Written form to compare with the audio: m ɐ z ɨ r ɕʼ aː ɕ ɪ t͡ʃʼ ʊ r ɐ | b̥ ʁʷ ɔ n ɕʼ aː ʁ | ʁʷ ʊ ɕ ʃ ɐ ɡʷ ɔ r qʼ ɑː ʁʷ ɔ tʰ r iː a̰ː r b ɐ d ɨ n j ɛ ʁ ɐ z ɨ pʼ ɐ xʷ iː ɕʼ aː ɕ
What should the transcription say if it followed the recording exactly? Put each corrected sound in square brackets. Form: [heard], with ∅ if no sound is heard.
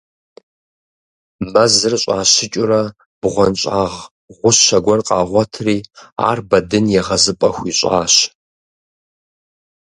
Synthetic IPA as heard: m ɐ z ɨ r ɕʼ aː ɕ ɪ t͡ʃʼ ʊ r ɐ | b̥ ʁʷ ɔ n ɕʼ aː ʁ | ʁʷ ʊ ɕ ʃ ɐ ɡʷ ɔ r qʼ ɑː ʁʷ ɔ tʰ r iː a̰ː r b ɐ d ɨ n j ɛ ʁ ɐ z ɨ pʼ ɐ xʷ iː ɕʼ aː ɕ